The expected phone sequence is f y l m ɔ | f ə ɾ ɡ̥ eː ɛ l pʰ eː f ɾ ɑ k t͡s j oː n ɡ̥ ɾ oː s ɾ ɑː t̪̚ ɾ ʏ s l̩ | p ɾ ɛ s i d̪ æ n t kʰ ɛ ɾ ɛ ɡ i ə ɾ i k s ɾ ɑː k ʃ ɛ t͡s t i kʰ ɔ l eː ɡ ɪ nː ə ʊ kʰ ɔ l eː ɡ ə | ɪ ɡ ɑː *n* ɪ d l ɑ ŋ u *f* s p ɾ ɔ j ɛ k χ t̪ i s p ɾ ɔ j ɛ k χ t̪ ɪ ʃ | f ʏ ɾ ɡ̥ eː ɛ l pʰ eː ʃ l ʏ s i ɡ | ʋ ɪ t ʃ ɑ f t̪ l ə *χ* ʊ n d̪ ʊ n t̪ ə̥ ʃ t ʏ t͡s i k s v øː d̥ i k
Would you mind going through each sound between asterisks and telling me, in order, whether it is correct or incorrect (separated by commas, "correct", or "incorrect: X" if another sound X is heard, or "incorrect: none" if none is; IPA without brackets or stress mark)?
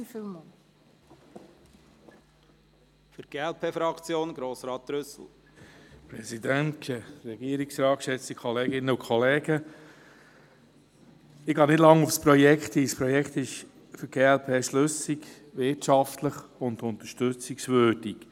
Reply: correct, correct, correct